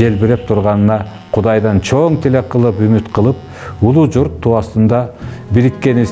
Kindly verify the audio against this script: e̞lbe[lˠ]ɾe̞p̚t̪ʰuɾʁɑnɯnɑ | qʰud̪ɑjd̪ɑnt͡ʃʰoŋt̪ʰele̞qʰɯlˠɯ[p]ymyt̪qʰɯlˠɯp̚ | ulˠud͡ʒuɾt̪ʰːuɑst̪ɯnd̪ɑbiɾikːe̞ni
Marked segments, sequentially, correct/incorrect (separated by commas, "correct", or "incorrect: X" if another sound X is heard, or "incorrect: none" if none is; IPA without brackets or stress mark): incorrect: none, correct